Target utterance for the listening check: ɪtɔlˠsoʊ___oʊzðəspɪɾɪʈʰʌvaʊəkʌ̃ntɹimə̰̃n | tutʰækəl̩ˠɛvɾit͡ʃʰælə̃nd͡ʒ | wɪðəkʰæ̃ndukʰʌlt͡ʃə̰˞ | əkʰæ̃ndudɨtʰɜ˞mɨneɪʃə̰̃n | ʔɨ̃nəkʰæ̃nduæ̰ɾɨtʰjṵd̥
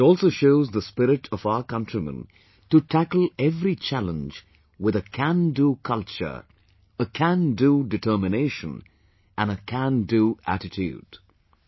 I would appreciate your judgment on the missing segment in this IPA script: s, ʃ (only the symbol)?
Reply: ʃ